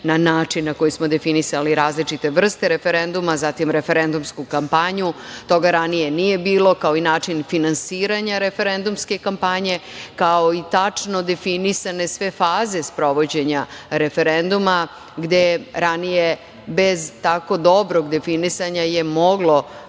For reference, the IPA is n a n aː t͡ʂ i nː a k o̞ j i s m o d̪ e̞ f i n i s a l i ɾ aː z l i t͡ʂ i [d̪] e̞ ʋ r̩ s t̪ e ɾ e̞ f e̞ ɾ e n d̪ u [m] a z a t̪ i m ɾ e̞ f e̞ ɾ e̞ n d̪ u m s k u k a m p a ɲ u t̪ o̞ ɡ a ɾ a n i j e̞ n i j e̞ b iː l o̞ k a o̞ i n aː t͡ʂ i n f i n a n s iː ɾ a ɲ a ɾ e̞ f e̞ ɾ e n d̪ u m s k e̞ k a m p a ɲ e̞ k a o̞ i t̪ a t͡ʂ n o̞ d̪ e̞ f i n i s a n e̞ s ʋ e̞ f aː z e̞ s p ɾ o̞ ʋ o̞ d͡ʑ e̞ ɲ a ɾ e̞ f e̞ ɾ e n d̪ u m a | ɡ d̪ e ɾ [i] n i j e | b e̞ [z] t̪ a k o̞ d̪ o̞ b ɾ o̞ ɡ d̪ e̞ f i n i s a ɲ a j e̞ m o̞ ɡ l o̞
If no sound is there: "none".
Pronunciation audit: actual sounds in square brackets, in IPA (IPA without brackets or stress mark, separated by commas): t̪, m, a, z